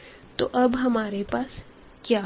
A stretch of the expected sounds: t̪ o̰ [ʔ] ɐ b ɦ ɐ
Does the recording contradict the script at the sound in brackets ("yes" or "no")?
no